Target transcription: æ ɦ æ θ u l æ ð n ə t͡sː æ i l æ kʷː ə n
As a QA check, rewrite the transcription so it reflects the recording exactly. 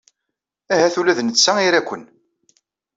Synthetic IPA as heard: æ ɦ æ θ u l æ ð n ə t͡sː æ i ɾ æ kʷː ə n